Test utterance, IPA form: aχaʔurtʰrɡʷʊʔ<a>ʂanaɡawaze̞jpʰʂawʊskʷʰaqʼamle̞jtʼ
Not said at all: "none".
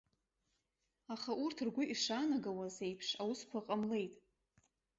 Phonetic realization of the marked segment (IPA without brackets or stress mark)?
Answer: i